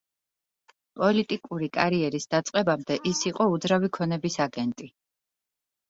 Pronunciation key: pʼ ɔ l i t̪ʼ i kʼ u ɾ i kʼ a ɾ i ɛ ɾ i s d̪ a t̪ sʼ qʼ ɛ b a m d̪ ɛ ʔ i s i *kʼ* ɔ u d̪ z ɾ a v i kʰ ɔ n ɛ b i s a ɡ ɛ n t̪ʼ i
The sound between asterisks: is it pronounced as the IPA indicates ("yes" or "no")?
no